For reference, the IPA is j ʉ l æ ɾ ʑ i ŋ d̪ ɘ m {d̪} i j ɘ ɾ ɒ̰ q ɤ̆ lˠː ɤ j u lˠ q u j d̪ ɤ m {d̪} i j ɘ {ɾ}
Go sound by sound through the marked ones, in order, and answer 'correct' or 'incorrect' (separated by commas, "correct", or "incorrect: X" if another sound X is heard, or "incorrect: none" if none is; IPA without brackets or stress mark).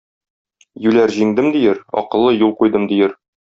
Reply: correct, correct, correct